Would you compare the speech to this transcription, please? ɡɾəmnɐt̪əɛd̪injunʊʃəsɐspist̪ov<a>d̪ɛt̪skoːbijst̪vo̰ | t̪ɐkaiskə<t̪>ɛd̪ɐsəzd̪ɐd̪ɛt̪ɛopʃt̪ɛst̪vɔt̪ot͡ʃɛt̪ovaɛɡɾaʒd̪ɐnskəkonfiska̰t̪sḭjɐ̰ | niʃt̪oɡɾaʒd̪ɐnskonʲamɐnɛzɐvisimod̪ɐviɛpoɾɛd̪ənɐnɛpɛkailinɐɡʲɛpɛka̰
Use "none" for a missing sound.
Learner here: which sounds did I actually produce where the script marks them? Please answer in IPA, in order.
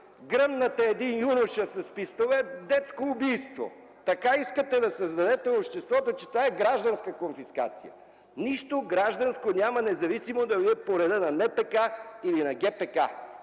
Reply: ɛ, t̪

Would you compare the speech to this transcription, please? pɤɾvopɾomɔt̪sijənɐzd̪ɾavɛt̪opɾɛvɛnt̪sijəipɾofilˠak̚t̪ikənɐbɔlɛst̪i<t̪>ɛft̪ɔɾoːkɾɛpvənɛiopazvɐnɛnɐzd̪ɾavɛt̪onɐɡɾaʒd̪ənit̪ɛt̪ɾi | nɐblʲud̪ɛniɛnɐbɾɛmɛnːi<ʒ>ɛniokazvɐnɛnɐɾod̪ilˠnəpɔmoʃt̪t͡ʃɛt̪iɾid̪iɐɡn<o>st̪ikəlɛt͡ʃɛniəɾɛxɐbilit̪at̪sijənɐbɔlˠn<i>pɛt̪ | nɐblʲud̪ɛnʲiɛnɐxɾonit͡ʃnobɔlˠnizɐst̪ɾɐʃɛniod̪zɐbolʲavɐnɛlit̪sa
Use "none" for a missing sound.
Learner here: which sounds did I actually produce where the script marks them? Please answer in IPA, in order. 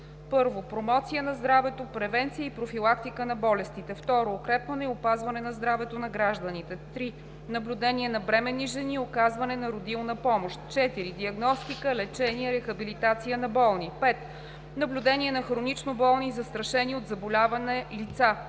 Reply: t̪, ʒ, ɔ, i

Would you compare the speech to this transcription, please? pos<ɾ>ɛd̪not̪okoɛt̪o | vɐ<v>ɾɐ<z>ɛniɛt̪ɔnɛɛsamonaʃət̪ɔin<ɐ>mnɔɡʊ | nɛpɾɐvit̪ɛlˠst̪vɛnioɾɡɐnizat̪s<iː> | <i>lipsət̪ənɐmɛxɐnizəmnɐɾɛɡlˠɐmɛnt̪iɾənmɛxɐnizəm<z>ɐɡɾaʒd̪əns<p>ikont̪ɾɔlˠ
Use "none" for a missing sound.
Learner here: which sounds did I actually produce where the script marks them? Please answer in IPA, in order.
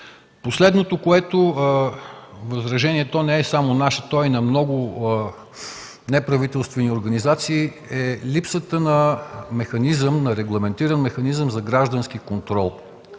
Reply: l, z, ʒ, ɐ, iː, ɛ, z, k

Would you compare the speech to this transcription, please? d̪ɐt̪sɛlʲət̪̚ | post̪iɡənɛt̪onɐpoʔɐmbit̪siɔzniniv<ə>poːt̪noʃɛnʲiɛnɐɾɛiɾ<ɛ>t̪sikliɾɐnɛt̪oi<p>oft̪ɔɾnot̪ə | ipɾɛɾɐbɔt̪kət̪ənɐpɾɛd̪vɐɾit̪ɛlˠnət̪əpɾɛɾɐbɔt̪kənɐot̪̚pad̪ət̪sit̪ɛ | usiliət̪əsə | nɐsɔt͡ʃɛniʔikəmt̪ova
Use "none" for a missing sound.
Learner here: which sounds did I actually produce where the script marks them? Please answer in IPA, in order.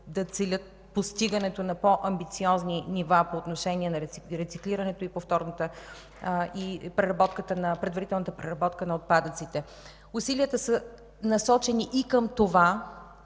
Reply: a, ɛ, p

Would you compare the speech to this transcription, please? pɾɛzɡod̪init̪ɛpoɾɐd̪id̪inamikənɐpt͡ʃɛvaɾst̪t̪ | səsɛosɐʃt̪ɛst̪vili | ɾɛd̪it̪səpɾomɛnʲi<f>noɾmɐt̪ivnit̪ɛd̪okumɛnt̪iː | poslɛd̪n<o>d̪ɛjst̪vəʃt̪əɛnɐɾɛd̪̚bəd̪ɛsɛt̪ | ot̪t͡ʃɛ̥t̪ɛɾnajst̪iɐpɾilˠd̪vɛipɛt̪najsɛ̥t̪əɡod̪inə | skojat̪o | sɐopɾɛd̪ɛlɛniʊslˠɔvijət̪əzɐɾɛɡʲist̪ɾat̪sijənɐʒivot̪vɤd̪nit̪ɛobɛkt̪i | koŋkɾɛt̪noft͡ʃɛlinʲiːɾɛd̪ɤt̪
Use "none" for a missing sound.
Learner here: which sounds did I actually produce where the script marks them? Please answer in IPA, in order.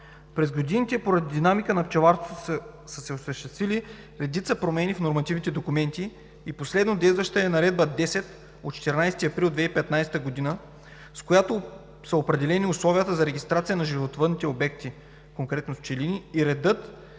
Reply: f, o

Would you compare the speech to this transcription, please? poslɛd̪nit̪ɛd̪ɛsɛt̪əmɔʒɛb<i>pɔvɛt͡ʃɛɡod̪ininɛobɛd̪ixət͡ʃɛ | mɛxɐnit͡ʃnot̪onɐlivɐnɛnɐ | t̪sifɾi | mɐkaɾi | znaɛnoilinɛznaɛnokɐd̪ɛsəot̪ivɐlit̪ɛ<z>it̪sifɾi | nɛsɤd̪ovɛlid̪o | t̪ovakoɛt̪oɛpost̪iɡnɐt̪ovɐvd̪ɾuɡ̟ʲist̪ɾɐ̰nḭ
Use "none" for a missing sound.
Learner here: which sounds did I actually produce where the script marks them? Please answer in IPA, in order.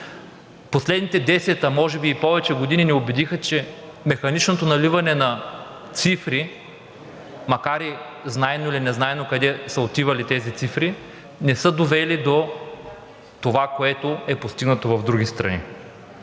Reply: iː, z

